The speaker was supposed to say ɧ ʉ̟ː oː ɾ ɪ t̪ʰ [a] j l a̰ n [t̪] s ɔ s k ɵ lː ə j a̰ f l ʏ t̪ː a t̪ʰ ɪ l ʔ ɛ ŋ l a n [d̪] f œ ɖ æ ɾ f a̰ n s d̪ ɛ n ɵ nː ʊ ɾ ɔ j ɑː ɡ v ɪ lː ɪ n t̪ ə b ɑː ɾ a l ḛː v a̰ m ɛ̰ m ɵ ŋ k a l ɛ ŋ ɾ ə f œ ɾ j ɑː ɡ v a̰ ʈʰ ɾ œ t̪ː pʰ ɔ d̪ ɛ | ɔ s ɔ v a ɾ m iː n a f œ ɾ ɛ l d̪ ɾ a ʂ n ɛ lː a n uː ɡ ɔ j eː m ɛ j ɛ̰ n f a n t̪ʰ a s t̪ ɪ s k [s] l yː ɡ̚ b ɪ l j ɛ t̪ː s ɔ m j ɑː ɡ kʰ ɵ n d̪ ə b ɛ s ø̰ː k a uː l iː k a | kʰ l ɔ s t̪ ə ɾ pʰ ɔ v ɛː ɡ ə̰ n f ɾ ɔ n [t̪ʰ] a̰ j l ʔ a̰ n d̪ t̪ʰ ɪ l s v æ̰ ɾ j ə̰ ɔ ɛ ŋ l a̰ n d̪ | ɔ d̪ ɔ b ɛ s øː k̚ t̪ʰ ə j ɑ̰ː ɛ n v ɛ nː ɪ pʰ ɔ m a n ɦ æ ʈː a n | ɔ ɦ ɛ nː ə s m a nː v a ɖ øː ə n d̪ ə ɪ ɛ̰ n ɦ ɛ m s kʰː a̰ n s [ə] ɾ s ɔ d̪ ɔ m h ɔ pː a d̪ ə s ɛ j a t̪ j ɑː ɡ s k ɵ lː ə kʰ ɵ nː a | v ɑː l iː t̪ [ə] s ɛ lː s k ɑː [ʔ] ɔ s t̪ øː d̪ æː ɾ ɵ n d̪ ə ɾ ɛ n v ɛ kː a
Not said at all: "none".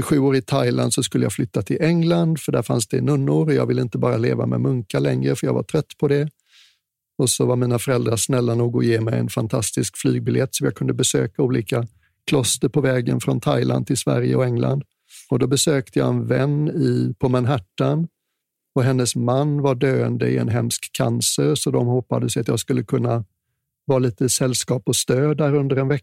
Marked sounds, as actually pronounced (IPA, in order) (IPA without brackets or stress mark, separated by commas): a, d̪, d̪, f, t̪ʰ, ə, ə, p